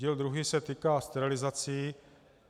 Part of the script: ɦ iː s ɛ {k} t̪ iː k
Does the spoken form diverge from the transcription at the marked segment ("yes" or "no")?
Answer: yes